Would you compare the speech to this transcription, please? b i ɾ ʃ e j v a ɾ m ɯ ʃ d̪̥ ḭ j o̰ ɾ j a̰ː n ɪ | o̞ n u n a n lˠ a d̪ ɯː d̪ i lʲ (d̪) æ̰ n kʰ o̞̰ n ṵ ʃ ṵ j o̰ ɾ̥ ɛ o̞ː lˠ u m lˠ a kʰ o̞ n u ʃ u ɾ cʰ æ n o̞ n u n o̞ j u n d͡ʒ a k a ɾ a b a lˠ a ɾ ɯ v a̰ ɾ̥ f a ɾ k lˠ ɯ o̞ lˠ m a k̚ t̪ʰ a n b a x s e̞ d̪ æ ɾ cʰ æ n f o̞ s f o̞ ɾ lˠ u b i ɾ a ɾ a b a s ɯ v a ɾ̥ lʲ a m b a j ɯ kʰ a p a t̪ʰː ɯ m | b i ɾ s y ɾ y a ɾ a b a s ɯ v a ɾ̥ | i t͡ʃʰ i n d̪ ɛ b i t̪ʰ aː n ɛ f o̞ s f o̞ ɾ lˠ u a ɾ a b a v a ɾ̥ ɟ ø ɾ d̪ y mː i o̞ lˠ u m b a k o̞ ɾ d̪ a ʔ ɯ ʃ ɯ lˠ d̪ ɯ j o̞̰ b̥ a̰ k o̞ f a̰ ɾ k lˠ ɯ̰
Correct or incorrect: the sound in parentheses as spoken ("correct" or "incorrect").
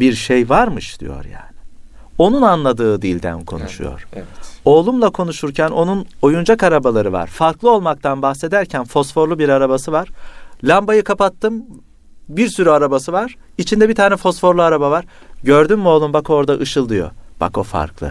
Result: correct